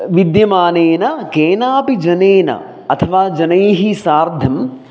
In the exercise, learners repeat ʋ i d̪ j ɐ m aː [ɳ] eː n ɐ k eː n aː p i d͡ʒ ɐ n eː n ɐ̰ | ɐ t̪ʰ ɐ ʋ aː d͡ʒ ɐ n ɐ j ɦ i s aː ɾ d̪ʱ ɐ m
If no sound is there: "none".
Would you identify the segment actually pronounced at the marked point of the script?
n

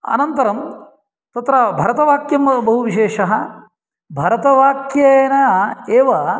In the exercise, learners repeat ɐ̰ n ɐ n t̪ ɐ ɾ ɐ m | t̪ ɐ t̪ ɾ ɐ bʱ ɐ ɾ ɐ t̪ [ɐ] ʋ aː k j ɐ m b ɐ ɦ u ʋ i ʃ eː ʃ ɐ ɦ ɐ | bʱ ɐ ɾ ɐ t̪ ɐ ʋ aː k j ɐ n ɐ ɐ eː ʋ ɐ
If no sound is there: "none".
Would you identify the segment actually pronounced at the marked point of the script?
ɐ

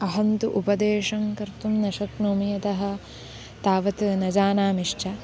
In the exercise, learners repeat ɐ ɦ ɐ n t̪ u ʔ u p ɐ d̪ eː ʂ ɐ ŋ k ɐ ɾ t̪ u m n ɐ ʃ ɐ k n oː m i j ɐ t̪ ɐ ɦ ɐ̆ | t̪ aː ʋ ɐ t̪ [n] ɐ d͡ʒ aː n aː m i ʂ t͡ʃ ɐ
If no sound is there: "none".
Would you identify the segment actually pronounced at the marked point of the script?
n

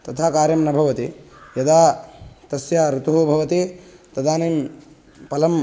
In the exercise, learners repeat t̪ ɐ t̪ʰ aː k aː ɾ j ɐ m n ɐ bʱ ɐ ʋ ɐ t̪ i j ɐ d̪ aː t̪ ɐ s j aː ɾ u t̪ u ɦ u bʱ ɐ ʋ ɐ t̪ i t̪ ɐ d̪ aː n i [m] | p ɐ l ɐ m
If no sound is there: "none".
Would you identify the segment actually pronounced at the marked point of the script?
m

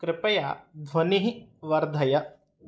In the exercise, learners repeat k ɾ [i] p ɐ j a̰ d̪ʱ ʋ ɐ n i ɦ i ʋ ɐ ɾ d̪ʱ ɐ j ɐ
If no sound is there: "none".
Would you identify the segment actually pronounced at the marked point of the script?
ɪ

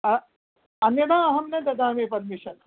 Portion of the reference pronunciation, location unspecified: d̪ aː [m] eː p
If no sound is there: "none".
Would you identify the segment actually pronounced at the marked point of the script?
m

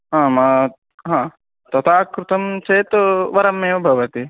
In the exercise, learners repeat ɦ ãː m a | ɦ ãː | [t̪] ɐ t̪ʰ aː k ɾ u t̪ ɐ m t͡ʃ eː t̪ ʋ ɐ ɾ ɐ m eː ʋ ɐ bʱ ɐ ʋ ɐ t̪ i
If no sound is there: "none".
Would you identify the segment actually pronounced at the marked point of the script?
t̪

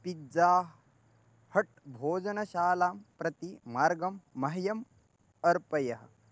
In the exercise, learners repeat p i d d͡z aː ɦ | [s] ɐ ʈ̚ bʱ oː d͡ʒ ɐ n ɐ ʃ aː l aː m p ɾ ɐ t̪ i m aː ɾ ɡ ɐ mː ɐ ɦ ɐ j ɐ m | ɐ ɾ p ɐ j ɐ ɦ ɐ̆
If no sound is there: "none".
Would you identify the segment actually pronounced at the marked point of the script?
h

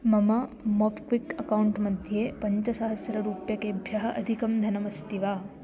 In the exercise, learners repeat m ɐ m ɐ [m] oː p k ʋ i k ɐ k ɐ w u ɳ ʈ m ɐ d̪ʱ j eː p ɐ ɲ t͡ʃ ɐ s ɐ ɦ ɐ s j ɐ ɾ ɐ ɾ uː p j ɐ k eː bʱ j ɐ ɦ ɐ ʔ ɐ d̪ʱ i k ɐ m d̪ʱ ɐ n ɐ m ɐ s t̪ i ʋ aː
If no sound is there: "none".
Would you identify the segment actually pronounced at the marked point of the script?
m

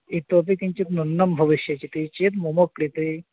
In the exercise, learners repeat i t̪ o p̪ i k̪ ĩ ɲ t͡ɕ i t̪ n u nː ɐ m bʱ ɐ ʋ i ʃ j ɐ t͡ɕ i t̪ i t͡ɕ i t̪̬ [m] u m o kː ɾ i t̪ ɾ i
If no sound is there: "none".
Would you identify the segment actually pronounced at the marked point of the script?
m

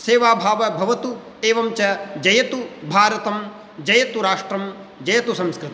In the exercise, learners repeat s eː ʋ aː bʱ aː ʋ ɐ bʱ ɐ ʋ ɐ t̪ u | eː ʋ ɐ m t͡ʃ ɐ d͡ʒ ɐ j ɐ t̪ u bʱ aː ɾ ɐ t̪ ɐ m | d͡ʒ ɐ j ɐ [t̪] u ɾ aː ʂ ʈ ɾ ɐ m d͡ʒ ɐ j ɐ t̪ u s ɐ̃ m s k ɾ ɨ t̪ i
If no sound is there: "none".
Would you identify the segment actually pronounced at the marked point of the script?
t̪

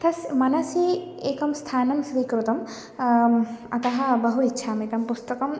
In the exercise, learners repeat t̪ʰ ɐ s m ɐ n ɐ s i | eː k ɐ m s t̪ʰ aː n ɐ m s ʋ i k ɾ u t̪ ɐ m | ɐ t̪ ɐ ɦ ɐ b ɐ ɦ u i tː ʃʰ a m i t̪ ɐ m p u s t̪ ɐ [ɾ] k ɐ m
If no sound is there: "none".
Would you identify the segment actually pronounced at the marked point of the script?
none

